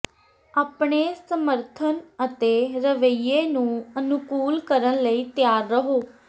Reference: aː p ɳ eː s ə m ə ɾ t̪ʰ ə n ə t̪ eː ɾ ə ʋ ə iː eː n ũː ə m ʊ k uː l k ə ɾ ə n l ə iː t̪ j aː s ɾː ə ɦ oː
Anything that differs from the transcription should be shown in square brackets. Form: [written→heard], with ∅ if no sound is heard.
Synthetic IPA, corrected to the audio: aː p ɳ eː s ə m ə ɾ t̪ʰ ə n ə t̪ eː ɾ ə ʋ ə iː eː n ũː ə [m→n] ʊ k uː l k ə ɾ ə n l ə iː t̪ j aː [s→∅] ɾː ə ɦ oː